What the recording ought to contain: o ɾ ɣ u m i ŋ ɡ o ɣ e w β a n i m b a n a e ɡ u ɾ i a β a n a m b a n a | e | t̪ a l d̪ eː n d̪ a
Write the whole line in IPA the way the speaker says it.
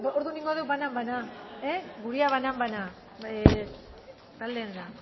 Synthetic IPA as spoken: o ɾ ð u n i ŋ ɡ o ð e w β a n a m b a n a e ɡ u ɾ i a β a n a m b a n a | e | t̪ a l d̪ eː n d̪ a

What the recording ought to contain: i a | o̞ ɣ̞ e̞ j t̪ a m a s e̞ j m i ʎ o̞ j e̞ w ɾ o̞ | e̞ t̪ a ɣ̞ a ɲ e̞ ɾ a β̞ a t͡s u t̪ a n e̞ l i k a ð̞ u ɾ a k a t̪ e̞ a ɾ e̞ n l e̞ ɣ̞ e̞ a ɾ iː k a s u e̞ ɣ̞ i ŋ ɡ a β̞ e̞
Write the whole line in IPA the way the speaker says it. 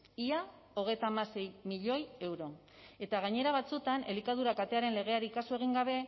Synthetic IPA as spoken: i a | o̞ ɣ̞ e̞ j t̪ a m a s e̞ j m i ʎ o̞ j e̞ w ɾ o̞ | e̞ t̪ a ɣ̞ a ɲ e̞ ɾ a β̞ a t͡s u t̪ a n e̞ l i k a ð̞ u ɾ a k a t̪ e̞ a ɾ e̞ n l e̞ ɣ̞ e̞ a ɾ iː k a s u e̞ ɣ̞ i ŋ ɡ a β̞ e̞

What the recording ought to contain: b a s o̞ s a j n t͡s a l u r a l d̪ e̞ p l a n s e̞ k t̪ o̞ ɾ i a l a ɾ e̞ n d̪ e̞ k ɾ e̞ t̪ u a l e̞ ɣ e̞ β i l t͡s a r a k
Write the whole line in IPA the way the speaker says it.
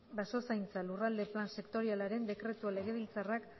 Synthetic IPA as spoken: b a s o̞ s a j n t͡s a l u r a l d̪ e̞ p l a n s e̞ k t̪ o̞ ɾ i a l a ɾ e̞ n d̪ e̞ k ɾ e̞ t̪ u a l e̞ ɣ e̞ β i l t͡s a r a k

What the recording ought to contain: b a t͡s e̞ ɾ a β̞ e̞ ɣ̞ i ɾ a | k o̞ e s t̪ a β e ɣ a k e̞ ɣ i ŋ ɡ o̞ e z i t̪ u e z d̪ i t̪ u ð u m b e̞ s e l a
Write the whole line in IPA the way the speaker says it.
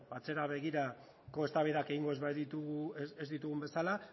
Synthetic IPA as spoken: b a t͡s e̞ ɾ a β̞ e̞ ɣ̞ i ɾ a | k o̞ e s t̪ a β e ð a k e̞ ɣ i ŋ ɡ o̞ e z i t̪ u e z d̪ i t̪ u ɣ u m b e̞ s a l a

